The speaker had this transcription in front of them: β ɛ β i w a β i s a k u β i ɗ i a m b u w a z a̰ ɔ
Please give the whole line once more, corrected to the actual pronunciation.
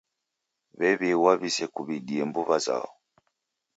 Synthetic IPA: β ɛ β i w a β i s ɛ k u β i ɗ i ɛ m b u β a z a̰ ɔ